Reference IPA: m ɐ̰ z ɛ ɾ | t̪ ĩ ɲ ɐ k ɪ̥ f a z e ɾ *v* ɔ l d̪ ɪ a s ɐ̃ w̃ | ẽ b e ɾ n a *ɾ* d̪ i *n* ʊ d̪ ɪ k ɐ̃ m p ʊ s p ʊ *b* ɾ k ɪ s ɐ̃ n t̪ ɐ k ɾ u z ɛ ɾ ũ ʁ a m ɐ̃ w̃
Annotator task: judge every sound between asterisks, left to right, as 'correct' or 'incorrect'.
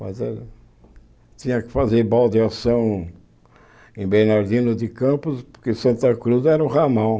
incorrect, correct, correct, incorrect

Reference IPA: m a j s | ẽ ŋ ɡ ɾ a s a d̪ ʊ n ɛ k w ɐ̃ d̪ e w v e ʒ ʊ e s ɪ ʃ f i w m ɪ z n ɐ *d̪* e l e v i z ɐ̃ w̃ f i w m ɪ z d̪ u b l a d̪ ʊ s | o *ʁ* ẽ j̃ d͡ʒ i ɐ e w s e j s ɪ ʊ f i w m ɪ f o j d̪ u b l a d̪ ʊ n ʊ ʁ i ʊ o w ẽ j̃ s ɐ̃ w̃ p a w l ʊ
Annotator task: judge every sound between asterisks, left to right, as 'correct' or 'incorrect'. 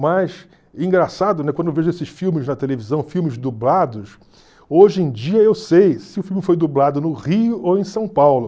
incorrect, incorrect

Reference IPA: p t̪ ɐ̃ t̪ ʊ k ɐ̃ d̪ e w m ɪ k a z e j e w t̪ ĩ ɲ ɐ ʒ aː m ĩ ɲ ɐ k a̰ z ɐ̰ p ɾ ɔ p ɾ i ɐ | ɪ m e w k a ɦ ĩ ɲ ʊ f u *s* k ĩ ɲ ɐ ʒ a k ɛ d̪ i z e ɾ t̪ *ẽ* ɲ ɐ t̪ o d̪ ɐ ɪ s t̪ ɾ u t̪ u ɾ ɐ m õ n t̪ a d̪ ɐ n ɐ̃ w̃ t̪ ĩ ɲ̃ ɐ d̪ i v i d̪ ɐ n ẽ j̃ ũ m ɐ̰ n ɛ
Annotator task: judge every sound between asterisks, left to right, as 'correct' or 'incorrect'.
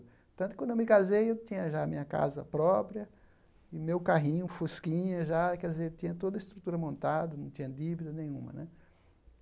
correct, incorrect

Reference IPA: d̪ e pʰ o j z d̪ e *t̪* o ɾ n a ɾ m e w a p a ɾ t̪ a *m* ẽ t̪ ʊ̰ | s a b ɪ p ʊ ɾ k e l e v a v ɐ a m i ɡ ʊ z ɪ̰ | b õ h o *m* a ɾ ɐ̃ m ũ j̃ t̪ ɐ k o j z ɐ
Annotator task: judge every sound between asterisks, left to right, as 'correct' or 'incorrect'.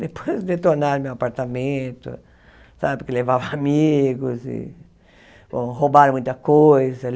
correct, correct, incorrect

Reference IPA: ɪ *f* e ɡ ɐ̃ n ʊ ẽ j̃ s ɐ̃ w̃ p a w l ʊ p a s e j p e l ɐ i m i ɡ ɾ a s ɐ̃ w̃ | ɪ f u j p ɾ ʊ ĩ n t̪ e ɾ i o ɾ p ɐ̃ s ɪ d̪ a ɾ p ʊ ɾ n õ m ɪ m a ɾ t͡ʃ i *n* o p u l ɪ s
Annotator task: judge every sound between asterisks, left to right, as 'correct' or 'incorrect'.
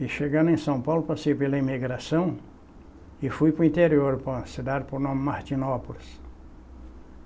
incorrect, correct

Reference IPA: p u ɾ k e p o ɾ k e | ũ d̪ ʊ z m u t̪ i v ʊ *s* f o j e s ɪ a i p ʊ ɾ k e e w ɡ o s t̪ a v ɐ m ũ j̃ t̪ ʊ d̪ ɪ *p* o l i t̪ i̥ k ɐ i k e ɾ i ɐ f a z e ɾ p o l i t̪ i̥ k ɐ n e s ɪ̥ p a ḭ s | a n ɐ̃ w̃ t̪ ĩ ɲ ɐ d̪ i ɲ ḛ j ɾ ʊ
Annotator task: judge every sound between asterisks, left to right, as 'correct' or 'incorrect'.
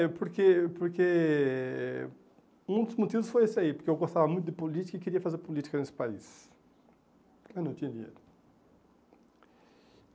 correct, correct

